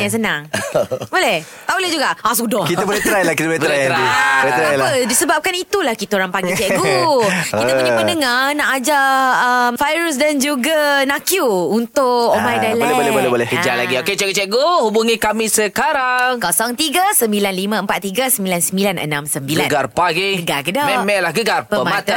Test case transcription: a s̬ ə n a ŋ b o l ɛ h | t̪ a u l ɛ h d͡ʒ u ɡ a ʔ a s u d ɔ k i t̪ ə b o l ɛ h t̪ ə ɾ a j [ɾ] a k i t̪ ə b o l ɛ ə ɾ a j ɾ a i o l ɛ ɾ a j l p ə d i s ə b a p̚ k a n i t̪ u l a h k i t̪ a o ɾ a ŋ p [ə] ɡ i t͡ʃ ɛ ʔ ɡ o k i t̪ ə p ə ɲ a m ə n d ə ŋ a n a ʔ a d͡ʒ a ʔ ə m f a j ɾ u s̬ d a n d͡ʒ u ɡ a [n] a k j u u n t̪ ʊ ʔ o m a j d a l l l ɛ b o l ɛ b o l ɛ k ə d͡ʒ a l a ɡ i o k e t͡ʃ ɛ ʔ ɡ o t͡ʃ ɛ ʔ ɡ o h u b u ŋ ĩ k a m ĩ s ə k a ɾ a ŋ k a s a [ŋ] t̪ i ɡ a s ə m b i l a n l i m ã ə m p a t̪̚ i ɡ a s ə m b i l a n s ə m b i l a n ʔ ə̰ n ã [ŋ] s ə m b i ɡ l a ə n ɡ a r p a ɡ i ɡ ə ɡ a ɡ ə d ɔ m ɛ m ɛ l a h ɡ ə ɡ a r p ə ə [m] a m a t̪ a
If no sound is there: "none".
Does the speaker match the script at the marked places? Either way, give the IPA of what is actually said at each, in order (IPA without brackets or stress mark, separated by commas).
l, a, n, ŋ, m, m